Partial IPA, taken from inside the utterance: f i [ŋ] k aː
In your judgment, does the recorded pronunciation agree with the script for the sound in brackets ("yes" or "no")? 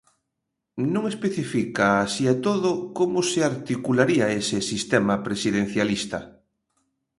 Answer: no